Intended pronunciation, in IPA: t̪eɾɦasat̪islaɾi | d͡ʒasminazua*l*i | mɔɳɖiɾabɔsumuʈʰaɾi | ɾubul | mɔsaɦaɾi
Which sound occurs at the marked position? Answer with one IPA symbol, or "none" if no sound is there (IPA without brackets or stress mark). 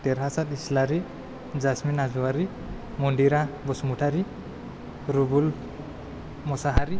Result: ɾ